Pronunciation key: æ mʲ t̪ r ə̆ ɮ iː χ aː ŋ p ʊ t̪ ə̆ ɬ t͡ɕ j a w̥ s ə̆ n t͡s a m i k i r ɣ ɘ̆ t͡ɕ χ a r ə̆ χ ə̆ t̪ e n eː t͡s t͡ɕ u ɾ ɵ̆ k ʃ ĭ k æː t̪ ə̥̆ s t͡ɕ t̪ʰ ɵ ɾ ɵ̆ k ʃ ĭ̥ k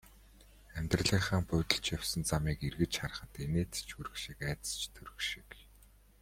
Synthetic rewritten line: æ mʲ t̪ r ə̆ ɮ iː χ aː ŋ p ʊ t̪ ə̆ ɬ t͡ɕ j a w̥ s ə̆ n t͡s a m iː k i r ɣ ɘ̆ t͡ɕ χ a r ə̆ χ ə̆ t̪ e n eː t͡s t͡ɕ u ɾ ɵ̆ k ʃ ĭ k æː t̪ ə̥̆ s t͡ɕ t̪ʰ ɵ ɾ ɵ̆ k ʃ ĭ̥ k